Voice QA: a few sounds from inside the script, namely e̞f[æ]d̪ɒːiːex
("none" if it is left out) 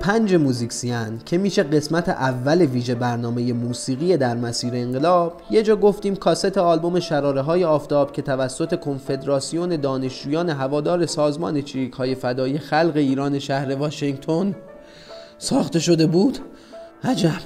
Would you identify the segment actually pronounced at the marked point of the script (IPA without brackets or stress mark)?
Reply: æ